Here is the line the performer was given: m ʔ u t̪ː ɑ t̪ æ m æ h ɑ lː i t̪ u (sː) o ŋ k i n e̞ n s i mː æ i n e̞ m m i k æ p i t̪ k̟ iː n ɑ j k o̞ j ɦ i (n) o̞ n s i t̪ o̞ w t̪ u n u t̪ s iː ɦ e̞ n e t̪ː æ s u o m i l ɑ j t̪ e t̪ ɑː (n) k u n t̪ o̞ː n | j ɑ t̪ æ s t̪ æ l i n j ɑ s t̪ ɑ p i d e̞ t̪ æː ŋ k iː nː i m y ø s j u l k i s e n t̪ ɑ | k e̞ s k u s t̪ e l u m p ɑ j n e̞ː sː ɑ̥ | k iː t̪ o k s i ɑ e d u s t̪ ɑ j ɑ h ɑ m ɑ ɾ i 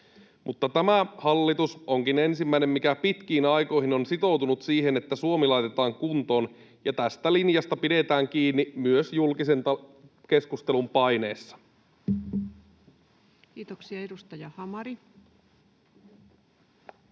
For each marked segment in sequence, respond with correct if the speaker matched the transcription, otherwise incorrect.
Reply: incorrect: s, correct, incorrect: ŋ

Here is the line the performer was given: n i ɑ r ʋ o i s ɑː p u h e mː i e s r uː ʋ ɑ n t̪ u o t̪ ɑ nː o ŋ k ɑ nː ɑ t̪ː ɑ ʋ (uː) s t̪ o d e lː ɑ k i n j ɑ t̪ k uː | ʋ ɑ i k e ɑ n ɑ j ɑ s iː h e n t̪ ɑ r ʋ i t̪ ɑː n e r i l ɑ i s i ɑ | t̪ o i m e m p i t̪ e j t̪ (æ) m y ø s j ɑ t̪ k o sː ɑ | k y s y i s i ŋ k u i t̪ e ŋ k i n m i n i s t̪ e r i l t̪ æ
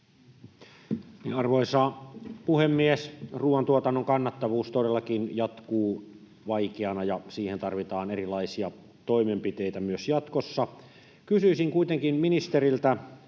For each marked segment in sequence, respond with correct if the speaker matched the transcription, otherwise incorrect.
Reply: correct, correct

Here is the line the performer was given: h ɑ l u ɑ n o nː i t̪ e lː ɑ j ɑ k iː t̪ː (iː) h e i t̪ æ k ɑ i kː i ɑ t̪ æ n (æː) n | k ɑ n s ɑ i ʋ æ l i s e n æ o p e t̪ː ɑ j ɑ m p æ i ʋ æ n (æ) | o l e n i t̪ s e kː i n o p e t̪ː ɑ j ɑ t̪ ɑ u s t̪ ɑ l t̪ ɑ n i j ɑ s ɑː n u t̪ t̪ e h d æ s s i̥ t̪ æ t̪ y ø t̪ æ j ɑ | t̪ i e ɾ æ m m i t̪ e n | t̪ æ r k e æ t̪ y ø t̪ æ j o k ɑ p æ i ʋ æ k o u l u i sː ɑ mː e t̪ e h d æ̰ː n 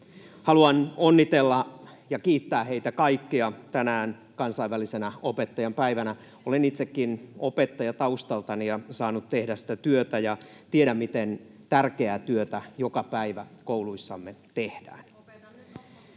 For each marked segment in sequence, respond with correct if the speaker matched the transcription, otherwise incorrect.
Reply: incorrect: æː, correct, correct

